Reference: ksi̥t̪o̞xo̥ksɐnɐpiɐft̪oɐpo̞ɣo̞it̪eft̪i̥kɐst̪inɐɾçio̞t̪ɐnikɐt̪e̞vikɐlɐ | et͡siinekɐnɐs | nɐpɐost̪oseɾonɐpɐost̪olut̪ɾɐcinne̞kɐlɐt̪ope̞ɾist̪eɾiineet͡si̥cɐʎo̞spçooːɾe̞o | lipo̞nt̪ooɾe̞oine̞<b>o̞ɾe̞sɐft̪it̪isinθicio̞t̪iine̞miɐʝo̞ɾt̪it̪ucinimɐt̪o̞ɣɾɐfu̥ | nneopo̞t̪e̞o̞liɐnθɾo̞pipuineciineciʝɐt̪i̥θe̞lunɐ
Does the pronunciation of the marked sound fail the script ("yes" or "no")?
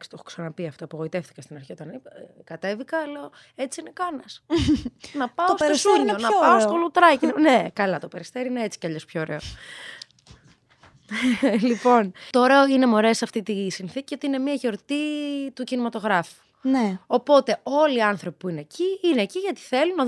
yes